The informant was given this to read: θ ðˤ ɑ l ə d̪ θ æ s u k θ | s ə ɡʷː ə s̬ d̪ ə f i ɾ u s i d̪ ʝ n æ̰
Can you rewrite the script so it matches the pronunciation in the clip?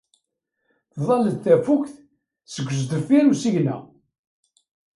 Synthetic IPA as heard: θ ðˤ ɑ l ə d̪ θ æ f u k θ | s ə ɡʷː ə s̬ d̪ ə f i ɾ u s i ʝ n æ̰

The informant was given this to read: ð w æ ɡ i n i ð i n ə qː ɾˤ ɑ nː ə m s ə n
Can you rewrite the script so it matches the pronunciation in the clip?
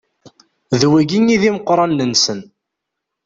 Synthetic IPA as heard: ð w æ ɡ i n i ð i m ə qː ɾˤ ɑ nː ə n s ə n

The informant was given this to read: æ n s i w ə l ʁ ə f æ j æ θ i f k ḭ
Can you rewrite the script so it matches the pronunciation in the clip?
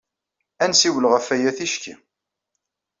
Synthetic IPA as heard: æ n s i w ə l ʁ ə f æ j æ θ i ʃ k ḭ

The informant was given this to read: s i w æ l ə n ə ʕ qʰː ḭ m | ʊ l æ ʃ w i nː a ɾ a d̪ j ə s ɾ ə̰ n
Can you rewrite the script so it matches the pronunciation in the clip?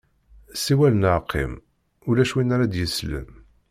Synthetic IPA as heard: s i w æ l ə n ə ʕ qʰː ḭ m | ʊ l æ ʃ w i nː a ɾ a d̪ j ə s l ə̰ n

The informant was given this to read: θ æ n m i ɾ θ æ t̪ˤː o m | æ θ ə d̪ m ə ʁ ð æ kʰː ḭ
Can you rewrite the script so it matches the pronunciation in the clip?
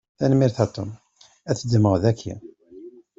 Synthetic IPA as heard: θ æ n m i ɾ θ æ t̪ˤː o m | æ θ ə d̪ m ə ʁ ð æ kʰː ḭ

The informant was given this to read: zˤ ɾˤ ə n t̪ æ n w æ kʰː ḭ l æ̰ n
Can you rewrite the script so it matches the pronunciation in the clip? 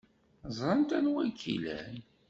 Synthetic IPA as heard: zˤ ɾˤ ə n t̪ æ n w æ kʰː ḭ l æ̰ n

